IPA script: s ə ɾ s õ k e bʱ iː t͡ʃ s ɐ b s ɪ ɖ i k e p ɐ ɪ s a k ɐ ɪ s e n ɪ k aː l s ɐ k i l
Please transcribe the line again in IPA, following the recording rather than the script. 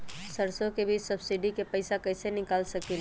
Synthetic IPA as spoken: s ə ɾ s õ k e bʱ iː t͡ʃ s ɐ b s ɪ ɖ i k e p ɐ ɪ s a k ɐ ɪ s e n ɪ k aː l s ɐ k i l